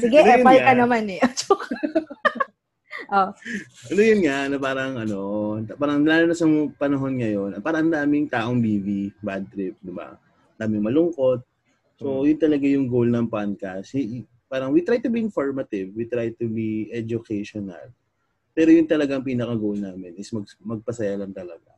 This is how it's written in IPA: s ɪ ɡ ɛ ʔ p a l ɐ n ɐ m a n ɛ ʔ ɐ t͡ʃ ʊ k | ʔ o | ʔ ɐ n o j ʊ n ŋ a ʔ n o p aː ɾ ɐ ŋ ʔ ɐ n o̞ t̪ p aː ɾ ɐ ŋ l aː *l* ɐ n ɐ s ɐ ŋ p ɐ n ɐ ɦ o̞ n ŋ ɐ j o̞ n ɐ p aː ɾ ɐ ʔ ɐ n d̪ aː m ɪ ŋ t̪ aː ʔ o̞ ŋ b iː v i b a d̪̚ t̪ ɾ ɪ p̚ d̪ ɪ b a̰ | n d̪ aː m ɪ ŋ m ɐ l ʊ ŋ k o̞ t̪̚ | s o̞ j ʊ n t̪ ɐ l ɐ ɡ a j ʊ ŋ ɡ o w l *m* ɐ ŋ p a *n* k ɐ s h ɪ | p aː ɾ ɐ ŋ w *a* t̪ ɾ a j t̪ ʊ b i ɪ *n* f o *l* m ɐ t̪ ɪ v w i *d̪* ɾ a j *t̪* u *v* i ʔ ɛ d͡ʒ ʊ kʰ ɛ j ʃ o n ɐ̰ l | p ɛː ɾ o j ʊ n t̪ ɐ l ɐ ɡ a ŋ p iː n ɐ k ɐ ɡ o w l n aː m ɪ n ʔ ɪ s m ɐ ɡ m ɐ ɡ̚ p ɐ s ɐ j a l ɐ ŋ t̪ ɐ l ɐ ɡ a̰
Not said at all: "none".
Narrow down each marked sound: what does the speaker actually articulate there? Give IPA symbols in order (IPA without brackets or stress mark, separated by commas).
l, n, n, i, n, ɹ, t̪, t̪, b